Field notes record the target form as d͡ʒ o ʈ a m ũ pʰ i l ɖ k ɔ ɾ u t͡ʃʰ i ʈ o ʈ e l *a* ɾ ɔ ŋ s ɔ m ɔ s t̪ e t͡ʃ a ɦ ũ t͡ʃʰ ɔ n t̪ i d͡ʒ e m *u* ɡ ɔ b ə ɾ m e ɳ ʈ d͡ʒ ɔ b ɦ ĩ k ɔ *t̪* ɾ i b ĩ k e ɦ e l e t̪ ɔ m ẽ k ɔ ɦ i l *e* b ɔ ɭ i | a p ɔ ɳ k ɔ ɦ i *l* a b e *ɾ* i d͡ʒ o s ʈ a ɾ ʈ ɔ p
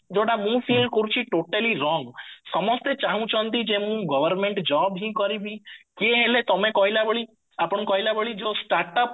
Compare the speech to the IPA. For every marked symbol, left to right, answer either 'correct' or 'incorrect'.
incorrect, incorrect, incorrect, incorrect, correct, incorrect

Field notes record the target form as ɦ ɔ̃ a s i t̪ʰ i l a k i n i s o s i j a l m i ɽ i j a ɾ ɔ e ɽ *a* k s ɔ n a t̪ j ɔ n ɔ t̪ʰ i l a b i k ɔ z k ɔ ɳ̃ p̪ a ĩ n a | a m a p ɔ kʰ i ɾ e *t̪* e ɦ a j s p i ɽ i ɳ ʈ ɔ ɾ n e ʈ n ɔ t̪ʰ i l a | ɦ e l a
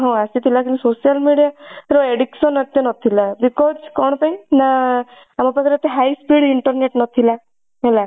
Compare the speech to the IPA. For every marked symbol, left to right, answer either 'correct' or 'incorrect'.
incorrect, correct

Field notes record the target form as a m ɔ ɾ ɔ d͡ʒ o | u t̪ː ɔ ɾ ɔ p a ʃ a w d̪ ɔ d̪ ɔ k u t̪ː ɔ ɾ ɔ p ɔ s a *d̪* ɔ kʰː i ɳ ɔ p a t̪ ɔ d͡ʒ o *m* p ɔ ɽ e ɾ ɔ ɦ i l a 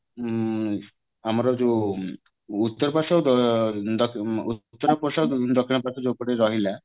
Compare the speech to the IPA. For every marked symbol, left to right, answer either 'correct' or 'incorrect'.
correct, incorrect

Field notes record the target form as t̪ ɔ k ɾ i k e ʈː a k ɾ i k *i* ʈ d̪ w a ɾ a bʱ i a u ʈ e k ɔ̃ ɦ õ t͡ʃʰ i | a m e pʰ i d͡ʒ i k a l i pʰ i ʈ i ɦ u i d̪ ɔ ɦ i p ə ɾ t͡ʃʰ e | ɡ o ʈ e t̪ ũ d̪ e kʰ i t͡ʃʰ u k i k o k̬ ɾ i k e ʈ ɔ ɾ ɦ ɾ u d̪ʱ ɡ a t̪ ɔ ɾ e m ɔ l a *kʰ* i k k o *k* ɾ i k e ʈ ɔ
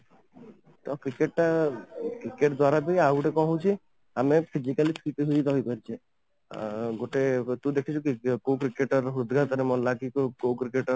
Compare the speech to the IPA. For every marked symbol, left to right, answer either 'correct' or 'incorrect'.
incorrect, incorrect, correct

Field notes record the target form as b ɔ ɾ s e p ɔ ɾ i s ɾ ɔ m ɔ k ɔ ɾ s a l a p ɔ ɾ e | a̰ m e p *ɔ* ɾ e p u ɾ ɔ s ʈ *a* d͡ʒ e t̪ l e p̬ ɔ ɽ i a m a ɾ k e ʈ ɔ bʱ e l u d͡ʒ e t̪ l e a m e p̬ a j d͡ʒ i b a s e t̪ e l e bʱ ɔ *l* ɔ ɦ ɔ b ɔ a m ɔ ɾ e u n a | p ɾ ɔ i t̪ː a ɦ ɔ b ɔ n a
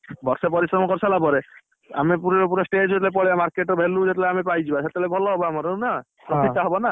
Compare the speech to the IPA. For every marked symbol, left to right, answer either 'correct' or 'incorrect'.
incorrect, incorrect, correct

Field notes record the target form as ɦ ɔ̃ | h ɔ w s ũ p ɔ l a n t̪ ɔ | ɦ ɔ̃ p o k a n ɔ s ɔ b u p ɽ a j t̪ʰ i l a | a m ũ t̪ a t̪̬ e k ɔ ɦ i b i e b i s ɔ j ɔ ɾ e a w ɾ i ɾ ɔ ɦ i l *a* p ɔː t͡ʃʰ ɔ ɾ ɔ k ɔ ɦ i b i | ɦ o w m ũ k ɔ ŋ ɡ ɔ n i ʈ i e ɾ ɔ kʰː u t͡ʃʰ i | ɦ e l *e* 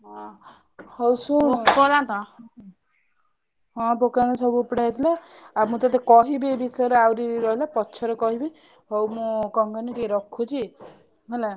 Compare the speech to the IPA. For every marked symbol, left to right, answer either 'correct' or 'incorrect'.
correct, incorrect

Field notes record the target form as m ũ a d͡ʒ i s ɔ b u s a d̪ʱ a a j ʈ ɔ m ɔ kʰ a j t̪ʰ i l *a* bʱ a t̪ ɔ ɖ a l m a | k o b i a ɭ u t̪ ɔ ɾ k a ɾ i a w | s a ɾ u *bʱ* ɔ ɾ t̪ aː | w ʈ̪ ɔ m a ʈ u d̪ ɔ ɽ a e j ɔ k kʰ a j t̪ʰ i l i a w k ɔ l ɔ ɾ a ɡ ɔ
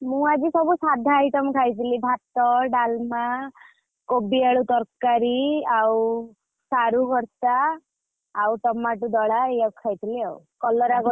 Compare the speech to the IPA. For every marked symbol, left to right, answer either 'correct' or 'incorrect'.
incorrect, incorrect

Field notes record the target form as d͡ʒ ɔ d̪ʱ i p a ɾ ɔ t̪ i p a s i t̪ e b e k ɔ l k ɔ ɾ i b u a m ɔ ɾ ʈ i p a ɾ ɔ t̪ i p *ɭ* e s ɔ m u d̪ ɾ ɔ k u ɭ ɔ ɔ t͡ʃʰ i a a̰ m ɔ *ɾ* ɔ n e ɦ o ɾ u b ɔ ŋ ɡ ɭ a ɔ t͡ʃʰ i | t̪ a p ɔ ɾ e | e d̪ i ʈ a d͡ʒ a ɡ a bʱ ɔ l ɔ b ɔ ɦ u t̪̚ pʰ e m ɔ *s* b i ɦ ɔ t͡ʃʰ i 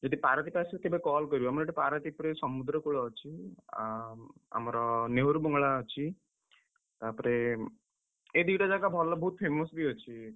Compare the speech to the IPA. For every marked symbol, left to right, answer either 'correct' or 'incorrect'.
incorrect, correct, correct

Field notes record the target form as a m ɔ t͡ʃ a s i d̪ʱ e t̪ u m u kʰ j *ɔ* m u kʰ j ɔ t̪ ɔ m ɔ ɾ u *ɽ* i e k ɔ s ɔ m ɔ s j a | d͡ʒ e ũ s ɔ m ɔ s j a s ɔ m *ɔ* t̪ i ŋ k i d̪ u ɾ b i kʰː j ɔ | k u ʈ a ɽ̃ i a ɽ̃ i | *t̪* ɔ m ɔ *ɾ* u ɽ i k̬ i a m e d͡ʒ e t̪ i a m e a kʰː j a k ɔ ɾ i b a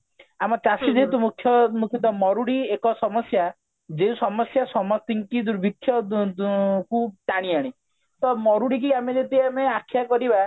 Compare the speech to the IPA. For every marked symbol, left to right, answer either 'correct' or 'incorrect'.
correct, correct, correct, correct, correct

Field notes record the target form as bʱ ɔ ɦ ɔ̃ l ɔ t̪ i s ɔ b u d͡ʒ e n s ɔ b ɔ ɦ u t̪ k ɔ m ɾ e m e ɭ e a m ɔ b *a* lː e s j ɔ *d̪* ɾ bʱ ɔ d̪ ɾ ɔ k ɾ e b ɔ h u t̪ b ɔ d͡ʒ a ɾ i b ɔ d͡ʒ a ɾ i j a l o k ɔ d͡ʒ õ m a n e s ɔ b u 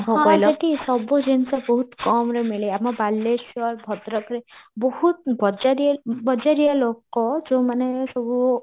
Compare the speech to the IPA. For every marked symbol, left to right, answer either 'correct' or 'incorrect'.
correct, incorrect

